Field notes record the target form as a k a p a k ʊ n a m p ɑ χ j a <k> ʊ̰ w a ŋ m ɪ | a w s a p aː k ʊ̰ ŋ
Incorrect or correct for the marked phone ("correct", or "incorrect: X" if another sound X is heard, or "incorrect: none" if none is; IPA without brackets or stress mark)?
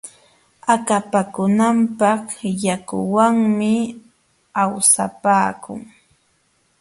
correct